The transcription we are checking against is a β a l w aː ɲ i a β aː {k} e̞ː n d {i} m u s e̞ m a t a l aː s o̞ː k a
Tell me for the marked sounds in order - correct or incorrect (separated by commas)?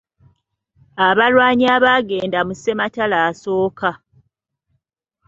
incorrect, incorrect